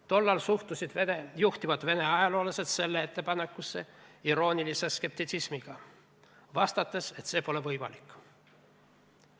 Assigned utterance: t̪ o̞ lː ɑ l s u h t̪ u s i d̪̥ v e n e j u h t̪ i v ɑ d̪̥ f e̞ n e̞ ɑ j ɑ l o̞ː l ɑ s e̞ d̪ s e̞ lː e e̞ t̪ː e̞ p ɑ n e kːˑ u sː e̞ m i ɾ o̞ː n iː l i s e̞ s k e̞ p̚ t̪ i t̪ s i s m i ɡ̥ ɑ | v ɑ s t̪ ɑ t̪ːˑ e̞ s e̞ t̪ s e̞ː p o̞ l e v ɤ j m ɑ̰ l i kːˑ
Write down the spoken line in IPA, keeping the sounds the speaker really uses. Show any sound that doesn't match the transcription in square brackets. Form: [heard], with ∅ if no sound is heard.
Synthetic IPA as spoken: t̪ o̞ lː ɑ l s u h t̪ u s i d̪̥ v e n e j u h t̪ i v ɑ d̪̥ [v] e̞ n e̞ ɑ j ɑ l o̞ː l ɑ s e̞ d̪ s e̞ lː e e̞ t̪ː e̞ p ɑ n e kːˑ u sː e̞ [∅] i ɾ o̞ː n [i] l i s e̞ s k e̞ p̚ t̪ i t̪ s i s m i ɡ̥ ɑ | v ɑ s t̪ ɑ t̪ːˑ e̞ s e̞ t̪ s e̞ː p o̞ l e v ɤ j m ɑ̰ l i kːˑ